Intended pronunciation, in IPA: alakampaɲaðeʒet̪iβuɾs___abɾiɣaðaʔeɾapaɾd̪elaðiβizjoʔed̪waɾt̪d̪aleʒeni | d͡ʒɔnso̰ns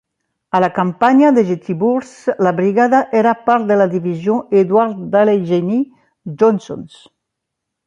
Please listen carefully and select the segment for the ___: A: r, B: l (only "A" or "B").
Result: B